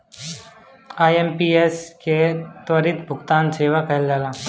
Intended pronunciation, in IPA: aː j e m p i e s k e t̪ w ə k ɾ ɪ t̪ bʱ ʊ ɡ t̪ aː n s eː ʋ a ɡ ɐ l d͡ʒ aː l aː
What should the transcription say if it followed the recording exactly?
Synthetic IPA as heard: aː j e m p i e s k e t̪ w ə ɾ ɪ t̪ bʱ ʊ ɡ t̪ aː n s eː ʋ a k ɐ l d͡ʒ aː l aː